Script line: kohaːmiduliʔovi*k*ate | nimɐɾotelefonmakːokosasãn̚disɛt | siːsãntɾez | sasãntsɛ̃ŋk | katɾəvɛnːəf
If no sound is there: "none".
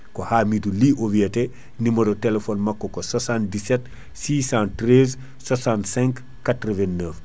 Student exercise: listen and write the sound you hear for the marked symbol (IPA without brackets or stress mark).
none